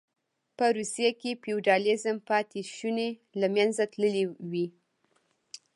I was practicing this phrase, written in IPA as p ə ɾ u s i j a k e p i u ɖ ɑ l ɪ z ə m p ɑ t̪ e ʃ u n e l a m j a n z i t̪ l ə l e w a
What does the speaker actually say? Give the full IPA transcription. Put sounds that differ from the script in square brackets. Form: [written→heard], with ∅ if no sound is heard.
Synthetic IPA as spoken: p ə ɾ u s i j a k e p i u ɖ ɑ l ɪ z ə m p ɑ t̪ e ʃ u n e l a m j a n z [i→a] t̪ l ə l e w [a→i]